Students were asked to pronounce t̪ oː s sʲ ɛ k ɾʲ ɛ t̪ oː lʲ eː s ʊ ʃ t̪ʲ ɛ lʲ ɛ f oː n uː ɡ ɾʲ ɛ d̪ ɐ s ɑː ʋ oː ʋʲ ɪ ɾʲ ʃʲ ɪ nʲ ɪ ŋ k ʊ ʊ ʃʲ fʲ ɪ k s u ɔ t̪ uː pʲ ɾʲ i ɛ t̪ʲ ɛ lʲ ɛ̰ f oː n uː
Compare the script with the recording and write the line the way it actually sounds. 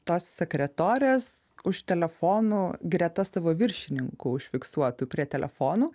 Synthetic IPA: t̪ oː s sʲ ɛ k ɾʲ ɛ t̪ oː ɾʲ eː s ʊ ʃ t̪ʲ ɛ lʲ ɛ f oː n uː ɡ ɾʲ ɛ t̪ ɐ s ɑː ʋ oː ʋʲ ɪ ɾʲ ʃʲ ɪ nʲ ɪ ŋ k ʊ ʊ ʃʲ fʲ ɪ k s u ɔ t̪ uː pʲ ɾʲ i ɛ t̪ʲ ɛ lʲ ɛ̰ f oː n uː